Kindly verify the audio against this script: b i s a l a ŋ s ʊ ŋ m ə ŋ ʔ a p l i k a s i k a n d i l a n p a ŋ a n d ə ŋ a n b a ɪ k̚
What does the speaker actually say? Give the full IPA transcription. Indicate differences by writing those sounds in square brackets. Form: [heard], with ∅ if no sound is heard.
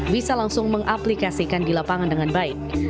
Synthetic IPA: b i s a l a ŋ s ʊ ŋ m ə ŋ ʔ a p l i k a s i k a n d i l a [∅] p a ŋ a n d ə ŋ a n b a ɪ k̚